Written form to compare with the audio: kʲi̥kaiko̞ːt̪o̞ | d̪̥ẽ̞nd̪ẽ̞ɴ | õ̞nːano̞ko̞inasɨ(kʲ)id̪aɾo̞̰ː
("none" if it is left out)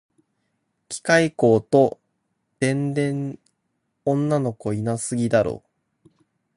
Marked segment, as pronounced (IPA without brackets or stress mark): ɡʲ